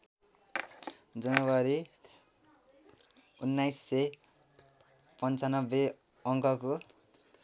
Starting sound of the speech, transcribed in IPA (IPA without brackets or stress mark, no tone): d͡z